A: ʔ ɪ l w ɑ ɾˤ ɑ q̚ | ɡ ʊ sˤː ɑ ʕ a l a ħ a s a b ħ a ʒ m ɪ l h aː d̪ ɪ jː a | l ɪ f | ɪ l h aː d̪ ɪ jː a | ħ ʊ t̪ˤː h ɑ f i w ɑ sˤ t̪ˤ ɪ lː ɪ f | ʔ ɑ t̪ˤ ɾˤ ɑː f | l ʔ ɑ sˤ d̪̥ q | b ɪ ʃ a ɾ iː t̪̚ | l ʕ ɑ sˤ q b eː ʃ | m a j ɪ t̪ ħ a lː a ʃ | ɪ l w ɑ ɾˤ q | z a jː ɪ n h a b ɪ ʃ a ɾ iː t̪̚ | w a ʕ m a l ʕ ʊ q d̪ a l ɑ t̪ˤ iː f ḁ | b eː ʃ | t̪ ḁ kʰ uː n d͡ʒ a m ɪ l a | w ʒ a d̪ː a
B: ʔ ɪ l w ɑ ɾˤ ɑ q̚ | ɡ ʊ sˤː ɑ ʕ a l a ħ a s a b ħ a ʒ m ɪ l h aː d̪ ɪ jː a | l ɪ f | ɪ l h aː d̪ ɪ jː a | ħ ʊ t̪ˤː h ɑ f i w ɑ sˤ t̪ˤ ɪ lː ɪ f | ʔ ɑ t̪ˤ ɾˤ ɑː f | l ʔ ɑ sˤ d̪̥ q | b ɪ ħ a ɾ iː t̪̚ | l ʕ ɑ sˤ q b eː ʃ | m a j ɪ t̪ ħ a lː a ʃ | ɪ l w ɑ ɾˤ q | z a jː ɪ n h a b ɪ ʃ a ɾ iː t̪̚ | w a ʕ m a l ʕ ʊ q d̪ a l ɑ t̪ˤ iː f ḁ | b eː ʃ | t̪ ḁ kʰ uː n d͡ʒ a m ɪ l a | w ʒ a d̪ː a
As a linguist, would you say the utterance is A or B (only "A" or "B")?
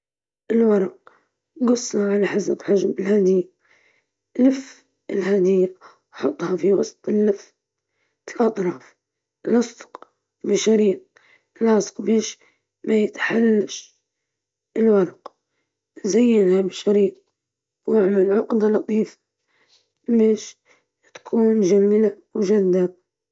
A